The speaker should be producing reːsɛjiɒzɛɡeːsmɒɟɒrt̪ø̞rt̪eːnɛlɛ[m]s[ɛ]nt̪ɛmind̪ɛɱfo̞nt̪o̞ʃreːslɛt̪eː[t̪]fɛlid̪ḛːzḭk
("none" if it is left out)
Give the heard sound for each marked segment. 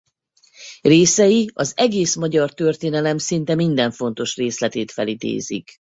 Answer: m, i, t̪

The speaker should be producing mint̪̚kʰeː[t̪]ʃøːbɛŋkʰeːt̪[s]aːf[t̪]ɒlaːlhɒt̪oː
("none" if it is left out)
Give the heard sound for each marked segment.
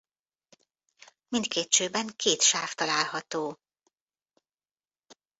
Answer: t̪, ʃ, t̪

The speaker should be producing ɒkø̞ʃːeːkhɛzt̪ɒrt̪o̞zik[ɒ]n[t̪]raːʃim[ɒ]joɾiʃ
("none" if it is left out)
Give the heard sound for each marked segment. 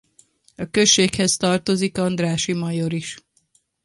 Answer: ɒ, d̪, ɒ

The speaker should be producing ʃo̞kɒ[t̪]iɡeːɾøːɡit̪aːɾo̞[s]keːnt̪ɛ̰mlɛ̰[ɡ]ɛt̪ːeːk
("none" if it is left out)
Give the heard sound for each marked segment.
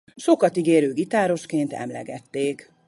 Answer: t̪, ʃ, ɡ

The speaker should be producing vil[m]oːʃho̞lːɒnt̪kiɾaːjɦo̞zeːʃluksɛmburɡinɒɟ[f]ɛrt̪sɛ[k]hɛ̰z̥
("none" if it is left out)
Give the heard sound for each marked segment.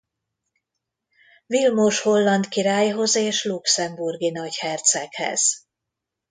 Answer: m, h, k

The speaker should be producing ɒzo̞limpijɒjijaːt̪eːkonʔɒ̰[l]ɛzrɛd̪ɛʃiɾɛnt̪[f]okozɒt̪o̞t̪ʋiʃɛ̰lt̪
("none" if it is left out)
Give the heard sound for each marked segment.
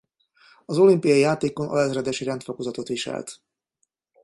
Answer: l, f

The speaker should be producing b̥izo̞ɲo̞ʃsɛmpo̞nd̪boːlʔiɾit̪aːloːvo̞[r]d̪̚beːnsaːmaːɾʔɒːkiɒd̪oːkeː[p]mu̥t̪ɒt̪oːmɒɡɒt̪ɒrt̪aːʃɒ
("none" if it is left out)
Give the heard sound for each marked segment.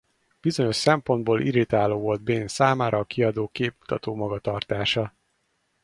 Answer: l, p

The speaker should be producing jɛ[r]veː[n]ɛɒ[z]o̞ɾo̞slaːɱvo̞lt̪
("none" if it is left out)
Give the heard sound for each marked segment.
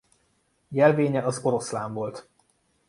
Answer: l, ɲ, z

